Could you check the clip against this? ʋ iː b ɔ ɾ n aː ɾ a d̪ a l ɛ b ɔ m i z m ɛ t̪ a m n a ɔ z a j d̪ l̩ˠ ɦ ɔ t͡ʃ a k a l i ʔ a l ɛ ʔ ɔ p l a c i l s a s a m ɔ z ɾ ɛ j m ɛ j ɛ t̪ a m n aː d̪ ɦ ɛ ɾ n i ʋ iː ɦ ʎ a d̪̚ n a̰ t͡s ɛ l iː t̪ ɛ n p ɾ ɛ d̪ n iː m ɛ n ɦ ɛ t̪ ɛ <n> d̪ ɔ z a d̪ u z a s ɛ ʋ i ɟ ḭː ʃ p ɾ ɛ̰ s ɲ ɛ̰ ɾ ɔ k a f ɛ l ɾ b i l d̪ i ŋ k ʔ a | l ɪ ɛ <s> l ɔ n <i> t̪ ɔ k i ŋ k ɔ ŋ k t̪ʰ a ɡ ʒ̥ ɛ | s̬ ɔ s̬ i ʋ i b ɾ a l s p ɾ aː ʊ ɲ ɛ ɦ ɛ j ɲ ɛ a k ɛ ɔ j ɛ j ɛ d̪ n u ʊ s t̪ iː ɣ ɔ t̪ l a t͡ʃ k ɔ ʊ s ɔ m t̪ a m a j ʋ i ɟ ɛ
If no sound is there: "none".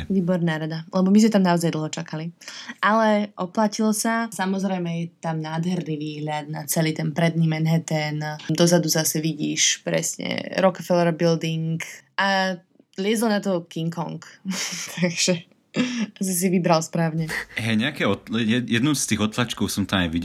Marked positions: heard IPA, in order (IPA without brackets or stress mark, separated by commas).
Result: n, z, a